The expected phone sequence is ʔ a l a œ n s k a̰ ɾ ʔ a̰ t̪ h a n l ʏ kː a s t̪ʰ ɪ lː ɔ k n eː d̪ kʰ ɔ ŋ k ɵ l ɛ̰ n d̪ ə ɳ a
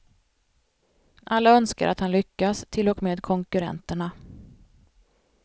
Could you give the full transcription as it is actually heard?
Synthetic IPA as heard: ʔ a lː a œ n s k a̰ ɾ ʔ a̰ t̪ h a n l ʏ kː a s t̪ʰ ɪ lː ɔ k m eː d̪ kʰ ɔ ŋ k ɵ ɾ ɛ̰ n t̪ ə ɳ a